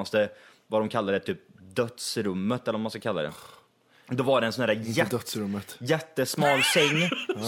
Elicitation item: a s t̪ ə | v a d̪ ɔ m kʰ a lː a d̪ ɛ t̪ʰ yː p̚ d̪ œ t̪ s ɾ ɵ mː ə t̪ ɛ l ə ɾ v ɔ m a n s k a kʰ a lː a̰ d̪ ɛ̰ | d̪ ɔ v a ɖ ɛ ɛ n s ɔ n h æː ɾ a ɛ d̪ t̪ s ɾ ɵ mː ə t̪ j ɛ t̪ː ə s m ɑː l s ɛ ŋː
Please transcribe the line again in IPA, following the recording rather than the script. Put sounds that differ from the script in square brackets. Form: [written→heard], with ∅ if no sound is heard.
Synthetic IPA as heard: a s t̪ ə | v a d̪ ɔ m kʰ a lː a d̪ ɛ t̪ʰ yː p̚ d̪ œ t̪ s ɾ ɵ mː ə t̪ ɛ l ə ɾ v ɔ m a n s k a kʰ a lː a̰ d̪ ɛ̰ | d̪ ɔ v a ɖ ɛ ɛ n s ɔ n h æː ɾ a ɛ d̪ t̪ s ɾ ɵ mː ə t̪ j ɛ t̪ː ə s m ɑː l s ɛ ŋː